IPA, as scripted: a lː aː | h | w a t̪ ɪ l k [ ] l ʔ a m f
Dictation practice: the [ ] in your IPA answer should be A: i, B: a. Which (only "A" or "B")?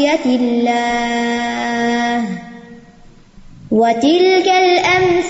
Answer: B